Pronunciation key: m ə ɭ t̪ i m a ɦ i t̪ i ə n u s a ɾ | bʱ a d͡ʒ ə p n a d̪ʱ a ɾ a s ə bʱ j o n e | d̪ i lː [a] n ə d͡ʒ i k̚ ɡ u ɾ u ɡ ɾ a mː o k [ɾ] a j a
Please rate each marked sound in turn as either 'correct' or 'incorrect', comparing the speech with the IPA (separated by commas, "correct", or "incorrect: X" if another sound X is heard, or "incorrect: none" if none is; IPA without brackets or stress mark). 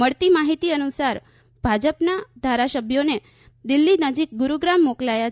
incorrect: i, incorrect: l